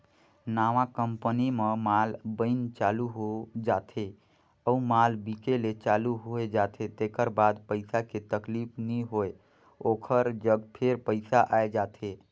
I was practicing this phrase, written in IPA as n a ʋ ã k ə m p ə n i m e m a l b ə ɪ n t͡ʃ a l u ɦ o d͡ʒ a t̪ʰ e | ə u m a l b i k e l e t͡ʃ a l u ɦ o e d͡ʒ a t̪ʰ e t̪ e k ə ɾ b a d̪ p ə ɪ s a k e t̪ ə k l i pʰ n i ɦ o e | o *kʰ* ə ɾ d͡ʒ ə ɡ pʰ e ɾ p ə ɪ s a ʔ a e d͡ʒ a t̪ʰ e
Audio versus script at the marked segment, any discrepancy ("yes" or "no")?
no